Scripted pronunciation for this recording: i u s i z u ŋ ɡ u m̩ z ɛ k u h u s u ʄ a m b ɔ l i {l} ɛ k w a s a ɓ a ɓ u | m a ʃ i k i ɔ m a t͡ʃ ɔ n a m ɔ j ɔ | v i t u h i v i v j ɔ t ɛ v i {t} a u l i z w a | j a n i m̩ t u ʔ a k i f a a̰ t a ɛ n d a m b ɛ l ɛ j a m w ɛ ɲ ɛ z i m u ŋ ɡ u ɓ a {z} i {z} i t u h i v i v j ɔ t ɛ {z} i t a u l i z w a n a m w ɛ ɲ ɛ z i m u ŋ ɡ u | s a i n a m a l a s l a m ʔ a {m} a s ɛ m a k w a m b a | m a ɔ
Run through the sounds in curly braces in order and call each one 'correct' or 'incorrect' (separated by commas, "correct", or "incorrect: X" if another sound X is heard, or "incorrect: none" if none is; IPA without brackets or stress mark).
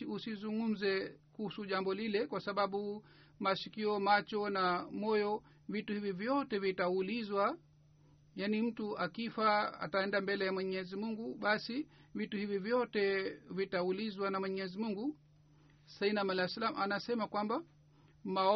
correct, correct, incorrect: s, incorrect: v, incorrect: v, incorrect: n